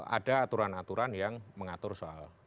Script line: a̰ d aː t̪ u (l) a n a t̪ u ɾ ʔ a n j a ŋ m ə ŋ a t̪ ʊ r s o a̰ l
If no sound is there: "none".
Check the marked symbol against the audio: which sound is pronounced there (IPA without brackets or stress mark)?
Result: ɾ